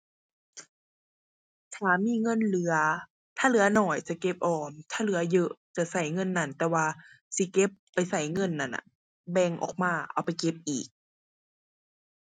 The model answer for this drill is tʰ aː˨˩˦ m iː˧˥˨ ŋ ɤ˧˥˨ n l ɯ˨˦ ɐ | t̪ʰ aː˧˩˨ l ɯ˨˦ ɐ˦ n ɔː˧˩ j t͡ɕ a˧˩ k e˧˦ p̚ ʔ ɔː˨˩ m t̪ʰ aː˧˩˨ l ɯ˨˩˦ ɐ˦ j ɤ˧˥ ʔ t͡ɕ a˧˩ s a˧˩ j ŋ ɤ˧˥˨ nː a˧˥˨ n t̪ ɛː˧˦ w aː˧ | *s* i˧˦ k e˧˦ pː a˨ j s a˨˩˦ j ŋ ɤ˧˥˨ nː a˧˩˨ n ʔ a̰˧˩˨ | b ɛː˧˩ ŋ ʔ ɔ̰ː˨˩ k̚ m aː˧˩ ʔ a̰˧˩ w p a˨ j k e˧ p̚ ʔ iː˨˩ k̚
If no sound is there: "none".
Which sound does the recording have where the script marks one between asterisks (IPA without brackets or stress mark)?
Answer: s